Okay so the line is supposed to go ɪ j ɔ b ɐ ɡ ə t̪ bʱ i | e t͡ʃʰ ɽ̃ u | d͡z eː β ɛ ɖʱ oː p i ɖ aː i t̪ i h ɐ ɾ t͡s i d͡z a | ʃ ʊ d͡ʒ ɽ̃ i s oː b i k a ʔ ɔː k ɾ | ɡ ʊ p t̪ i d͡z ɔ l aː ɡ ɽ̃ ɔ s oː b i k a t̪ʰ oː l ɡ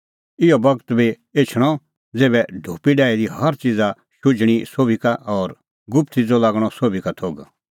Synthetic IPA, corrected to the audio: ɪ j ɔ b ɐ ɡ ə t̪ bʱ i | e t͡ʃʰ ɽ̃ ɔ | d͡z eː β ɛ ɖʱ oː p i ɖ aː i d̪ i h ɐ ɾ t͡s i d͡z a | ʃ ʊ d͡ʒ ɽ̃ i s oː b i k a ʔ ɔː ɾ | ɡ ʊ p t̪ i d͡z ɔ l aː ɡ ɽ̃ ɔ s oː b i k a t̪ʰ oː ɡ

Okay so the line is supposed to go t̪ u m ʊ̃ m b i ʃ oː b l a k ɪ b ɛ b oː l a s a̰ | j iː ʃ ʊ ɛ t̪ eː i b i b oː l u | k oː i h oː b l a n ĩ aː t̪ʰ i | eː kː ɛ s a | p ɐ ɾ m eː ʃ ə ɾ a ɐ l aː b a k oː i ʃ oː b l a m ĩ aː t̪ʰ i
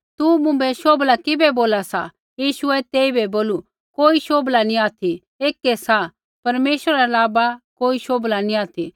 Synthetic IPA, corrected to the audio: t̪ u m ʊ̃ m b ɛ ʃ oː b l a k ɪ b ɛ b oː l a s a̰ | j iː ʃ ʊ ɛ t̪ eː i b ɛ b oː l u | k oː i ʃ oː b l a n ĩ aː t̪ʰ i | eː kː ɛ s a | p ɐ ɾ m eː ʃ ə ɾ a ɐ l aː b a k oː i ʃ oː b l a n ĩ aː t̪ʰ i

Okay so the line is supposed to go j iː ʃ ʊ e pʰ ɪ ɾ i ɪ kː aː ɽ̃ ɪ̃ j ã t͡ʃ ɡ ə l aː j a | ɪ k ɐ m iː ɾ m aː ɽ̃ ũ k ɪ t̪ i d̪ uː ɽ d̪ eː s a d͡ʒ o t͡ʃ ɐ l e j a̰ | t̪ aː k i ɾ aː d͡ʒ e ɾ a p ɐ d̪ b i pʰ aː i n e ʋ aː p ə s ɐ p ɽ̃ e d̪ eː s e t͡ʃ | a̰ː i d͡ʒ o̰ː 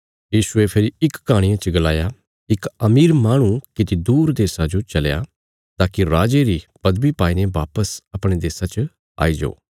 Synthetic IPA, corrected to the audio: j iː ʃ ʊ e pʰ ɪ ɾ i ɪ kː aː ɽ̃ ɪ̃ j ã t͡ʃ ɡ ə l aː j a | ɪ k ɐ m iː ɾ m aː ɽ̃ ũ k ɪ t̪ i d̪ uː ɾ d̪ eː s a d͡ʒ o t͡ʃ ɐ l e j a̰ | t̪ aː k i ɾ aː d͡ʒ e ɾ i p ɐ d̪ b i p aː i n e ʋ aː p ə s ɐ p ɽ̃ e d̪ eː s a t͡ʃ | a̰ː i d͡ʒ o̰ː

